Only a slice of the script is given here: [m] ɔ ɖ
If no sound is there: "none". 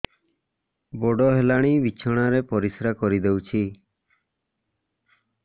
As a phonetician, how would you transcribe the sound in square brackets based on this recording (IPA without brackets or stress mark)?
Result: b